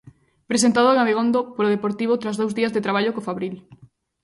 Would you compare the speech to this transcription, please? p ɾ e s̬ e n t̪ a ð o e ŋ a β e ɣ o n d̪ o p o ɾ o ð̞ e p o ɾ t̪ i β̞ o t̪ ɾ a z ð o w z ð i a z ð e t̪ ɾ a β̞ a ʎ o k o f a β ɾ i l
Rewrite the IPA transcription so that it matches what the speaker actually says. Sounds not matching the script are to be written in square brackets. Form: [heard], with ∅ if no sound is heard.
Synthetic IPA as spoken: p ɾ e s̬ e n t̪ a ð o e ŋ a β e ɣ o n d̪ o p o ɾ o ð̞ e p o ɾ t̪ i β̞ o t̪ ɾ a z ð o w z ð i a z ð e t̪ ɾ a β̞ a ʎ o k o f a β ɾ i l